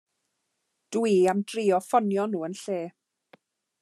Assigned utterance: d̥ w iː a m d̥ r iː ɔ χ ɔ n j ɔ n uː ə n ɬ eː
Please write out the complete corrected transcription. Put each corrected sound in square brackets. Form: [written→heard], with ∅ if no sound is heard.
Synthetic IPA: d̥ w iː a m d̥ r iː ɔ [χ→f] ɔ n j ɔ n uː ə n ɬ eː